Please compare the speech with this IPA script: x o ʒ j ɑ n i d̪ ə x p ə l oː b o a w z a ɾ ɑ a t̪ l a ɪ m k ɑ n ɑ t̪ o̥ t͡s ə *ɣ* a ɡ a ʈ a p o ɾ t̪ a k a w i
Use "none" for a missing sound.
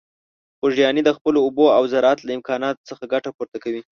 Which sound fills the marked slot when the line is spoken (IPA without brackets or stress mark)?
x